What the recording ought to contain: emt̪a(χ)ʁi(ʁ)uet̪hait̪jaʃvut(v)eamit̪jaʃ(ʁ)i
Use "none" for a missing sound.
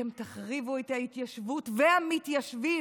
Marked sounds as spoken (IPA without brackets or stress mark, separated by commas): χ, v, v, v